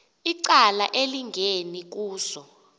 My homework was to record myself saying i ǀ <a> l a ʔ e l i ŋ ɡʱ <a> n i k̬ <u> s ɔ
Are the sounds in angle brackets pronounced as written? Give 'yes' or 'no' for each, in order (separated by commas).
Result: yes, no, no